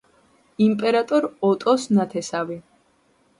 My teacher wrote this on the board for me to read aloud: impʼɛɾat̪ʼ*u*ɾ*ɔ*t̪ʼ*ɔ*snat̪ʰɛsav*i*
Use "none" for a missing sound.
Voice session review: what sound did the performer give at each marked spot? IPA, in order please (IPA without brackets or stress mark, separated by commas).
ɔ, ɔ, ɔ, i